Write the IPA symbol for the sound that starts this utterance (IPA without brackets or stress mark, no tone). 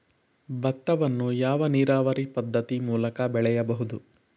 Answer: b